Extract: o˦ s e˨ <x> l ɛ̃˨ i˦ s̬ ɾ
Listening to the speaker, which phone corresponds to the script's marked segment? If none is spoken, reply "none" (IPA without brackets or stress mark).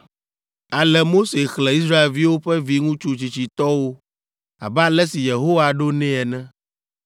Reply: x